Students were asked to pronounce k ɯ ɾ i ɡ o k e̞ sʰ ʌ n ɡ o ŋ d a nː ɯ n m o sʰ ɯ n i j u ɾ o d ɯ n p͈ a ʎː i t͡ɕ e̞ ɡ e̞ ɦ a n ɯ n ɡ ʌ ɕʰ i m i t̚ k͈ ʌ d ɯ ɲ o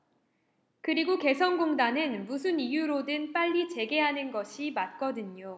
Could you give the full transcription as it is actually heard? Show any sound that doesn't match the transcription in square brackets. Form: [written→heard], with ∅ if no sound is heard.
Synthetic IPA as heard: k ɯ ɾ i ɡ o k e̞ sʰ ʌ n ɡ o ŋ d a [nː→n] ɯ n m [o→u] sʰ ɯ n i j u ɾ o d ɯ n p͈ a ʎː i t͡ɕ e̞ ɡ e̞ ɦ a n ɯ n ɡ ʌ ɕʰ i m [i→a] t̚ k͈ ʌ d ɯ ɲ o